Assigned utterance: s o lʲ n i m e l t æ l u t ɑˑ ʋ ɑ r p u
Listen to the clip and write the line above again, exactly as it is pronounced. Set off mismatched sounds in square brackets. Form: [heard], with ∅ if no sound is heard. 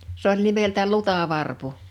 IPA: s o lʲ n i m e l t æ l u t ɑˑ ʋ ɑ r p u